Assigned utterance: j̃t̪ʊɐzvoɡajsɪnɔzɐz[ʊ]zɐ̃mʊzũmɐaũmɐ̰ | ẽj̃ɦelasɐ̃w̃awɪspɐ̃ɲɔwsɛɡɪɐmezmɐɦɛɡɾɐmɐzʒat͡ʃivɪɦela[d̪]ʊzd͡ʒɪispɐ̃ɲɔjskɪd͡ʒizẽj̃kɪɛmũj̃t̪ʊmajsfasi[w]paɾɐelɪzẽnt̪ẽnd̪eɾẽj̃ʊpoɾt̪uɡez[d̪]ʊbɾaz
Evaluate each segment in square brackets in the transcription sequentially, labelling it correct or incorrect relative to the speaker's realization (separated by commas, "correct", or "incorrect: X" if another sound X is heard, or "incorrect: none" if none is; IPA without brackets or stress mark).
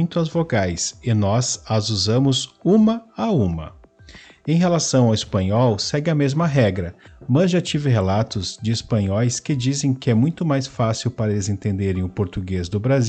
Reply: incorrect: u, incorrect: t̪, correct, correct